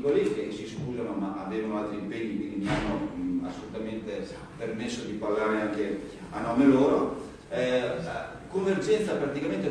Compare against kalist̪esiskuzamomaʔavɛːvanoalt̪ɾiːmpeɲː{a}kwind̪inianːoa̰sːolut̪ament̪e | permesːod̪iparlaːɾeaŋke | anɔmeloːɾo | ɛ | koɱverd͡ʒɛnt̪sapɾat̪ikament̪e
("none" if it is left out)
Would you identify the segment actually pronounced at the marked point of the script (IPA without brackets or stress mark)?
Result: i